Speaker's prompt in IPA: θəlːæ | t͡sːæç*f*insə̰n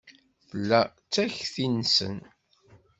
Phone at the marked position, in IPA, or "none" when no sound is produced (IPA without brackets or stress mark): θ